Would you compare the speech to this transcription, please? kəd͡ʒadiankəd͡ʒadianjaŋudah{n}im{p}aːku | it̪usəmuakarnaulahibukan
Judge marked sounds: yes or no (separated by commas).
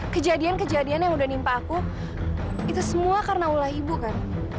yes, yes